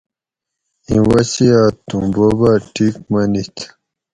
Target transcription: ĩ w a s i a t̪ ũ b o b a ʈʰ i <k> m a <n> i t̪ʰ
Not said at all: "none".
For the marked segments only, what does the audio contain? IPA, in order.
k, n

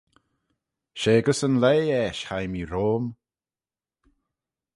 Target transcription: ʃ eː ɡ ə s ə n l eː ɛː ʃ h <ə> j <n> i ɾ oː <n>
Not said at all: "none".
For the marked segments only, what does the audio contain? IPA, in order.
a, m, m

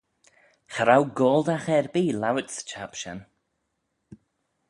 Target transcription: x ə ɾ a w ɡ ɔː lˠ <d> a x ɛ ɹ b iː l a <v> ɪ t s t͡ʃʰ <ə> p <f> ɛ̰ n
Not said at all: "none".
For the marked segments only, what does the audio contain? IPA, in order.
d, w, a, ʃ

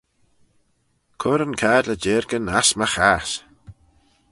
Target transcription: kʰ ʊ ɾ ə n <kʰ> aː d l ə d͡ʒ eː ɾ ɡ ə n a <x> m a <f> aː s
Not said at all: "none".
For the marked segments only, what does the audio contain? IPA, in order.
kʰ, s, x

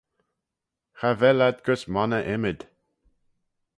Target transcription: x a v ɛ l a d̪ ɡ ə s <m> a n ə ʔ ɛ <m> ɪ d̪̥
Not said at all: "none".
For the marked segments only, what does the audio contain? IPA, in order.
m, m

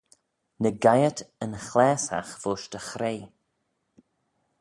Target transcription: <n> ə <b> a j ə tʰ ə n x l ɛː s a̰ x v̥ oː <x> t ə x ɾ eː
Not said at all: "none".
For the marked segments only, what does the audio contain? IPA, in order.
n, ɡ, ʃ

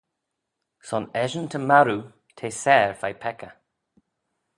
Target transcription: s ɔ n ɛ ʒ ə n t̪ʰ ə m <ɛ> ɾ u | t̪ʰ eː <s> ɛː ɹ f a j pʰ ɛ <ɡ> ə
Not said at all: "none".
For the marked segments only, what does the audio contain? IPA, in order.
a, s, k

